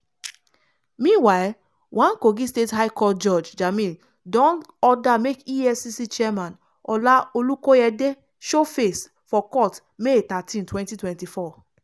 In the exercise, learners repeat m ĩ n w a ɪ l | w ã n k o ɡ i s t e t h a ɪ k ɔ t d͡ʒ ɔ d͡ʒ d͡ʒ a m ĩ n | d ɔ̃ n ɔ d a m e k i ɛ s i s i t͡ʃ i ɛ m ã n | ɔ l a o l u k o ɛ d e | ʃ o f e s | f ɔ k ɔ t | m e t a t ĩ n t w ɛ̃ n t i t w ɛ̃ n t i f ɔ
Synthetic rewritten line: m ĩ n w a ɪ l | w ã n k o ɡ i s t e t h a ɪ k ɔ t d͡ʒ ɔ d͡ʒ d͡ʒ a m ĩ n | d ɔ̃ n ɔ d a m e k i ɛ s i s i t͡ʃ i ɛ m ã n | ɔ l a o l u k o ɛ d e | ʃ o f e s | f ɔ k ɔ t | m e t a t ĩ n t w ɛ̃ n t i t w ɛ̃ n t i f ɔ